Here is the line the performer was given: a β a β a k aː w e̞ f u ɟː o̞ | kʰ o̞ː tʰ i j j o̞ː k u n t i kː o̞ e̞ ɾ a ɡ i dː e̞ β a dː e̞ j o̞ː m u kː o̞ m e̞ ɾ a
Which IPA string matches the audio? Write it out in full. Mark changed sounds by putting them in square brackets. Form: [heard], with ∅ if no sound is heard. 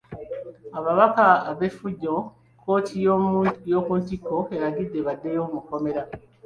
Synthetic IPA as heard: a β a β a k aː [β] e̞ f u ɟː o̞ | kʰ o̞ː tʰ i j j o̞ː k u n t i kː o̞ e̞ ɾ a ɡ i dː e̞ β a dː e̞ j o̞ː m u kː o̞ m e̞ ɾ a